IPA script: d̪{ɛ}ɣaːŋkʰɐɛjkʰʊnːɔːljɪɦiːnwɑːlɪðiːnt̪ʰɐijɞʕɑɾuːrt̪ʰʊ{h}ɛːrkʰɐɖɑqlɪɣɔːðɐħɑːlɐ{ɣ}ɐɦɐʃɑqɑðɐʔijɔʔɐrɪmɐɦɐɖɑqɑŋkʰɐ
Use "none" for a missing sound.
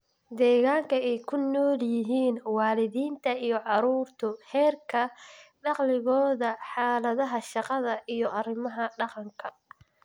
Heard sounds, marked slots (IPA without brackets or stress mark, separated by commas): ɛː, h, ð